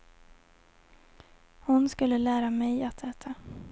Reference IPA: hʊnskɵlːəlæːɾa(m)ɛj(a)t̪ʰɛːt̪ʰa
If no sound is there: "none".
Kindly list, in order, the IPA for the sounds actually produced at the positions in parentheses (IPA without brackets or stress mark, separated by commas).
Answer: m, a